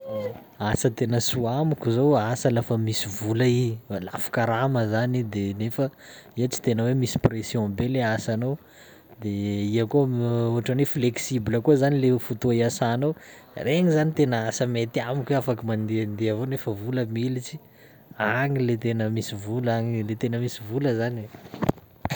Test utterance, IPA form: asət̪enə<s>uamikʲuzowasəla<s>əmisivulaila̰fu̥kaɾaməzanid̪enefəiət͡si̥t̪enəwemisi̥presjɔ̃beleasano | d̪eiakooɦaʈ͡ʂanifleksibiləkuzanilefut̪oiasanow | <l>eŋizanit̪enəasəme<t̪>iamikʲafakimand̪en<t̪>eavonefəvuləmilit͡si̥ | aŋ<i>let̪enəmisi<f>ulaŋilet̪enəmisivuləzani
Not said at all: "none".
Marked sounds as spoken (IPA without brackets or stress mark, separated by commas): s, f, r, t̪, d̪, i, v